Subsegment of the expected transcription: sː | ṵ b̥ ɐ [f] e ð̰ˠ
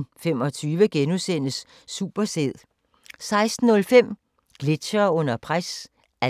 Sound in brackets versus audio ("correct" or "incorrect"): incorrect